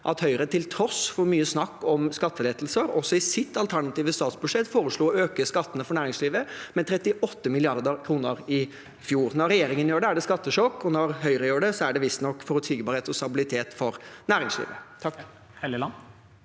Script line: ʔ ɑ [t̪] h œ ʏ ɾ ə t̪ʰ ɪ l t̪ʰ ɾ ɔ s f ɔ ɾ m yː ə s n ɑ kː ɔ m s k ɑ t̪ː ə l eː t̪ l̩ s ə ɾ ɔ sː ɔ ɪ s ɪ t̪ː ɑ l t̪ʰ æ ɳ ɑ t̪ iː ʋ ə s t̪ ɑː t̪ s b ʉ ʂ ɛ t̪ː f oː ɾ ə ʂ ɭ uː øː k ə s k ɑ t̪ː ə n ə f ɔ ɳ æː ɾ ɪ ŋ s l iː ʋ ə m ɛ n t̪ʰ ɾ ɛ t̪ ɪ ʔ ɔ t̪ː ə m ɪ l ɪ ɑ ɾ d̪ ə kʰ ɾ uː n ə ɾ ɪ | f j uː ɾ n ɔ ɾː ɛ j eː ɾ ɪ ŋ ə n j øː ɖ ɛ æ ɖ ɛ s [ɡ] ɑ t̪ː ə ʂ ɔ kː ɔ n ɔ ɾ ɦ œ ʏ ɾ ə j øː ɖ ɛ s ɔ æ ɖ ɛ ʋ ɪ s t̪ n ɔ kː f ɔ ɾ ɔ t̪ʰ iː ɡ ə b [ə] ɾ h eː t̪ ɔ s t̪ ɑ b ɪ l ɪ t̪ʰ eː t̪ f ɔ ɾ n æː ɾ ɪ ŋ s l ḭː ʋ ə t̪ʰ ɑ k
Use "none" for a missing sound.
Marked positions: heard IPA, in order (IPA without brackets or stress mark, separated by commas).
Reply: t̪, k, ɑ